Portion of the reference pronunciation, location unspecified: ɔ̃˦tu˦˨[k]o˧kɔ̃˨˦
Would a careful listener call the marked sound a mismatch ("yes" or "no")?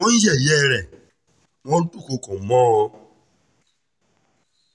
no